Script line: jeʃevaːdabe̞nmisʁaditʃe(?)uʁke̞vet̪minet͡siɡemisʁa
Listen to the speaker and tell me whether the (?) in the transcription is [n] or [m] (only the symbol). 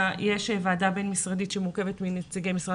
m